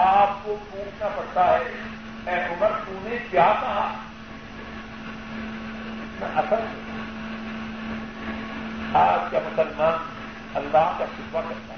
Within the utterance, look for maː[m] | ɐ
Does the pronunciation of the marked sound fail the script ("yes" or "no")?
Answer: yes